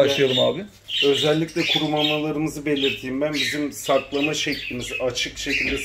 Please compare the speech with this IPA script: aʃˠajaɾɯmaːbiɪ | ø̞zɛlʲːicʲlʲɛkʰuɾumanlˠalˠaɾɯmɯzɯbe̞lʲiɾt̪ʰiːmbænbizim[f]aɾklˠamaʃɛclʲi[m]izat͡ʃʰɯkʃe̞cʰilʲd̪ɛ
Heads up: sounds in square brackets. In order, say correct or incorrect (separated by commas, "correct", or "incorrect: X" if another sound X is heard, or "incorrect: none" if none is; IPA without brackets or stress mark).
incorrect: s, correct